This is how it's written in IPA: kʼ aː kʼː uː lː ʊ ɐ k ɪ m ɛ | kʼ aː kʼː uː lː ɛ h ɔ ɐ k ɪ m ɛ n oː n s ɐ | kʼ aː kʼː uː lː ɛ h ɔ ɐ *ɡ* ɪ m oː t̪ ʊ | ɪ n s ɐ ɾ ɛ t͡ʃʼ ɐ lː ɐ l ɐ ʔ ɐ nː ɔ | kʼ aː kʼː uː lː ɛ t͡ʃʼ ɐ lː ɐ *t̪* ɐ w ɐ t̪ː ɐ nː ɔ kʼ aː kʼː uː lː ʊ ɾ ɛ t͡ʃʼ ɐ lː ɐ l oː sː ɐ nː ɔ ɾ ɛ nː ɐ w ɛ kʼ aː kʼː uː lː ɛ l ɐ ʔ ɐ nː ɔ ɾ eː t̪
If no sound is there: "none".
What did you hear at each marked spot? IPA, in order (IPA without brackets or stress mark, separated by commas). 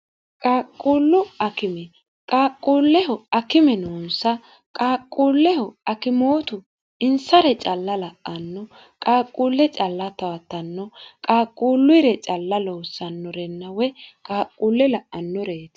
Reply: k, t̪